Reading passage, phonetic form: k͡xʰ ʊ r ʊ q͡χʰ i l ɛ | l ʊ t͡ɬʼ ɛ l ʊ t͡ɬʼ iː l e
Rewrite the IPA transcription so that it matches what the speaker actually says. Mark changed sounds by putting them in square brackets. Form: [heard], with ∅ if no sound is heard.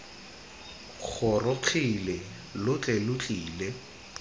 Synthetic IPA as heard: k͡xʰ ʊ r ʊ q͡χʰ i l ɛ | l ʊ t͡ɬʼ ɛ l ʊ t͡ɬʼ iː l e